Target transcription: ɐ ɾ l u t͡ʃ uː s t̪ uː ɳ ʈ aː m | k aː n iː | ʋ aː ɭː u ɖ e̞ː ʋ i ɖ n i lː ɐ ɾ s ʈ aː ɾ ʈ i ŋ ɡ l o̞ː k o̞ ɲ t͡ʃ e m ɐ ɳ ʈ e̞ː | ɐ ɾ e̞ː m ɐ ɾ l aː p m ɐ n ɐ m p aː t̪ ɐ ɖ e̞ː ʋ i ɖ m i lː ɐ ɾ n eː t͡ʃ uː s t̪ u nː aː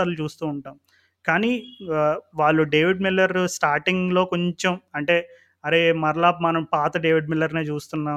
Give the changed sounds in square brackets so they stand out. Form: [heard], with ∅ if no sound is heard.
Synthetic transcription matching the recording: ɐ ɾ l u t͡ʃ uː s t̪ uː ɳ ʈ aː m | k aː n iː | ʋ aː ɭː u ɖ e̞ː ʋ i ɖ [m] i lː ɐ ɾ s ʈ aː ɾ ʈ i ŋ ɡ l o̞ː k o̞ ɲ t͡ʃ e m ɐ ɳ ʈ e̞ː | ɐ ɾ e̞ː m ɐ ɾ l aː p m ɐ n ɐ m p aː t̪ ɐ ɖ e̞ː ʋ i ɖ m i lː ɐ ɾ n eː t͡ʃ uː s t̪ u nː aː